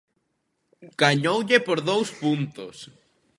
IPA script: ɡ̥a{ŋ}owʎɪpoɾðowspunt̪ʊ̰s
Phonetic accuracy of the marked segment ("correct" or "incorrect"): incorrect